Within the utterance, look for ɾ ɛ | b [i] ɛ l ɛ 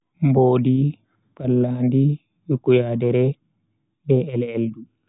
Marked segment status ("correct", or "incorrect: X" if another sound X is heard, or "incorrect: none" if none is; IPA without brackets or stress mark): incorrect: ɛ